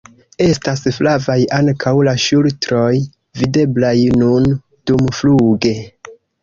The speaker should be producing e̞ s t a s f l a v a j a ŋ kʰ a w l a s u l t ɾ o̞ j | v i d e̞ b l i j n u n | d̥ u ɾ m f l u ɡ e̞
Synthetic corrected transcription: e̞ s t a s f l a v a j a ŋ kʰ a w l a ʃ u l t ɾ o̞ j | v i d e̞ b l a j n u n | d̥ u m f l u ɡ e̞